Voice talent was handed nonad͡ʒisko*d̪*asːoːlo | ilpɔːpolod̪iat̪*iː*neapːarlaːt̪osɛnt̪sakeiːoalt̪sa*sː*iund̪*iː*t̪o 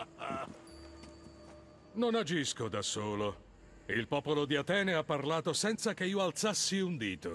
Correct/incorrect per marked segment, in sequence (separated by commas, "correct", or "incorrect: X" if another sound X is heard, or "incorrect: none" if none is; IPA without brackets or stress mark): correct, incorrect: ɛː, correct, correct